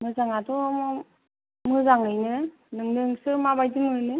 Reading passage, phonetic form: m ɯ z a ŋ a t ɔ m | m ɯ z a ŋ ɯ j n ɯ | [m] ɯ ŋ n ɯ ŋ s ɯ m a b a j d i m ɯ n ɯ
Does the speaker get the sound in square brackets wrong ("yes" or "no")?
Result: yes